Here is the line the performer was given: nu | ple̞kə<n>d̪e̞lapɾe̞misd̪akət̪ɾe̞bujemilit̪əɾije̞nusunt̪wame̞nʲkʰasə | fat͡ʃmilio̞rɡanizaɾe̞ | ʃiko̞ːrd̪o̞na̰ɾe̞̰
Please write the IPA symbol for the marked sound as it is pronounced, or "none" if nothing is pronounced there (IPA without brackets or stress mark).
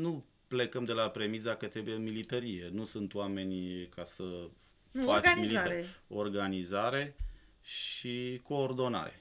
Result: m